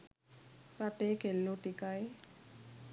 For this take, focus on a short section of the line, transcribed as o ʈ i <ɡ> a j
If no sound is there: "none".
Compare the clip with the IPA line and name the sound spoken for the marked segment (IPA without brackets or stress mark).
k